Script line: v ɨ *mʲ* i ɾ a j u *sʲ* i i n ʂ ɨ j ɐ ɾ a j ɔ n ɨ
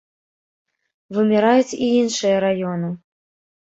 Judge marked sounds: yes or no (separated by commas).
yes, no